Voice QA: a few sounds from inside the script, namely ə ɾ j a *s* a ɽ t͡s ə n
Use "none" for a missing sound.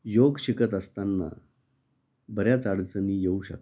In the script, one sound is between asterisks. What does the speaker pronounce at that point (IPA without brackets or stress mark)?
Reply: t͡s